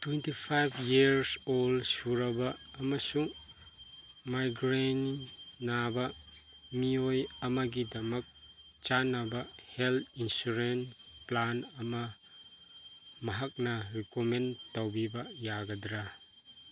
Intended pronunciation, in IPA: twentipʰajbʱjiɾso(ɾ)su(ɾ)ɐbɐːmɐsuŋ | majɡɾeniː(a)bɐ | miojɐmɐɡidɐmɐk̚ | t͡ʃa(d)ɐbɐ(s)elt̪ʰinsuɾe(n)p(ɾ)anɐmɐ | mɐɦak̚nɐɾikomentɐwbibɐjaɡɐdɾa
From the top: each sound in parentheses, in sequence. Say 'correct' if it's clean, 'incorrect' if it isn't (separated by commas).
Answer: incorrect, correct, correct, incorrect, incorrect, correct, incorrect